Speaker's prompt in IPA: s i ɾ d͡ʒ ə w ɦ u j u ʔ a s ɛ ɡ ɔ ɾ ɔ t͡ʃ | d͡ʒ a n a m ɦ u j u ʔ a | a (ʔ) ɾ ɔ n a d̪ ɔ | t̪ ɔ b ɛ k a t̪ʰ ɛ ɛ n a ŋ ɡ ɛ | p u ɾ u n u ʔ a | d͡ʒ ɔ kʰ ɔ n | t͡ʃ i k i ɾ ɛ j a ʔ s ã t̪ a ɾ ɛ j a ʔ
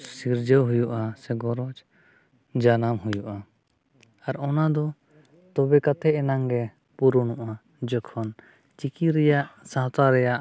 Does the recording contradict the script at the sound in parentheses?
yes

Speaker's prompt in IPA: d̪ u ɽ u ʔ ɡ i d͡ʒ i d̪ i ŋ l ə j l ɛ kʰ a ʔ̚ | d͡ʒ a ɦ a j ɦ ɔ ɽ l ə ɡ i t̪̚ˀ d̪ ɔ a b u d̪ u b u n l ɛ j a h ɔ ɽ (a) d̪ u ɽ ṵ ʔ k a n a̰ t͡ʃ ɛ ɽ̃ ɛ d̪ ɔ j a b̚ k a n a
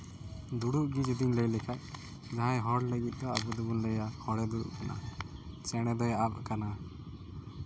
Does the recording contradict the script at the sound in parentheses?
yes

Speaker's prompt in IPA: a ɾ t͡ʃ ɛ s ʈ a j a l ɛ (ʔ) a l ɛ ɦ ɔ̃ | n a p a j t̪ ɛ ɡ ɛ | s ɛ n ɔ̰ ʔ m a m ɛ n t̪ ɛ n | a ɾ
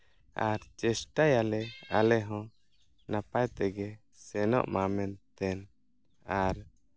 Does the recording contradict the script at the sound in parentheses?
yes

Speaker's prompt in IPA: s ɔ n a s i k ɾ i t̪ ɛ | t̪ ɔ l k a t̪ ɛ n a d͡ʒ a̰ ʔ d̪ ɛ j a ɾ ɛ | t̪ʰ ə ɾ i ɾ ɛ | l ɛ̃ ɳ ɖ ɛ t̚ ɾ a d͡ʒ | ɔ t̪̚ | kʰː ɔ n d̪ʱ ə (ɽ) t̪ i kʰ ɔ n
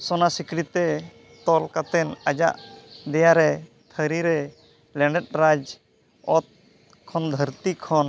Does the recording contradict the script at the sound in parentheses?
yes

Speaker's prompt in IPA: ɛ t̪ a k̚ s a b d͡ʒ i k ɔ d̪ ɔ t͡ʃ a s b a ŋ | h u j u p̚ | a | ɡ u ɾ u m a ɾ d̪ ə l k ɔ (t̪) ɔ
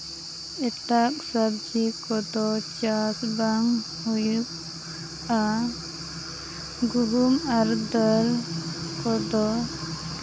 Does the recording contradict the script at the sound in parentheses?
yes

